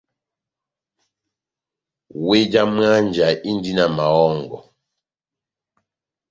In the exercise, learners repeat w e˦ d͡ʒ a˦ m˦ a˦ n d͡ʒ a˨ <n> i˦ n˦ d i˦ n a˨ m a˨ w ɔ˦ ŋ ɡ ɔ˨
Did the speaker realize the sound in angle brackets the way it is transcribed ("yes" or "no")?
no